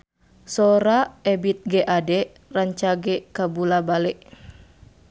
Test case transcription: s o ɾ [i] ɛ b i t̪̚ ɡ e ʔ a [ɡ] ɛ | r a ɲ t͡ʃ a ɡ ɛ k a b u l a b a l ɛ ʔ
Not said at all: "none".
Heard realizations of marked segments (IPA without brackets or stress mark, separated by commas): a, d